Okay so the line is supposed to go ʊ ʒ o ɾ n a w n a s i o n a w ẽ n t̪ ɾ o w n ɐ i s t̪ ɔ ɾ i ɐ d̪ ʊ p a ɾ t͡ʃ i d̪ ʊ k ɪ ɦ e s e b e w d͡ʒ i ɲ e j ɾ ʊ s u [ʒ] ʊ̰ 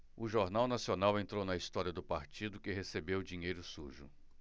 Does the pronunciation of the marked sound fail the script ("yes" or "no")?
no